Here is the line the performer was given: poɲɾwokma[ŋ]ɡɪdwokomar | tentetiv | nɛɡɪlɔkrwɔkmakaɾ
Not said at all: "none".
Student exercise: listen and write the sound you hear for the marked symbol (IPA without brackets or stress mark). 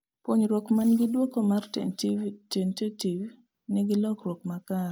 n